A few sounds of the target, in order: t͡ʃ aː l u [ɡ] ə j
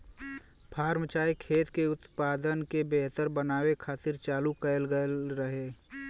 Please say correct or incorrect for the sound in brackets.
incorrect